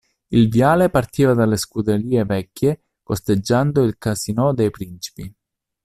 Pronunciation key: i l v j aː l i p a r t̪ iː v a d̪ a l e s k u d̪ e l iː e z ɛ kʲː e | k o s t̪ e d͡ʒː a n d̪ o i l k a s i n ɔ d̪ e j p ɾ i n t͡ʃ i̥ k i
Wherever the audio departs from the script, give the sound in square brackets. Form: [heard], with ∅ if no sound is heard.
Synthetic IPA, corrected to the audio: i l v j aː l [e] p a r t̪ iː v a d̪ a l e s k u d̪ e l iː e [v] ɛ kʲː e | k o s t̪ e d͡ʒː a n d̪ o i l k a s i n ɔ d̪ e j p ɾ i n t͡ʃ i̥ [p] i